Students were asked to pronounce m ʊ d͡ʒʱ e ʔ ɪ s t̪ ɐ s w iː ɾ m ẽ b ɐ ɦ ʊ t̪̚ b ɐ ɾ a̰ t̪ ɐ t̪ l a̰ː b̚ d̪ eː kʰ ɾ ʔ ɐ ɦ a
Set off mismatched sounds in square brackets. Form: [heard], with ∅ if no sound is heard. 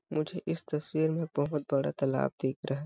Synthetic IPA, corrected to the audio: m ʊ d͡ʒʱ e ʔ ɪ s t̪ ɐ s w iː ɾ m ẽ b ɐ ɦ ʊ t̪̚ b ɐ [ɽ] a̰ t̪ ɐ [∅] l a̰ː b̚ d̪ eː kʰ ɾ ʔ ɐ ɦ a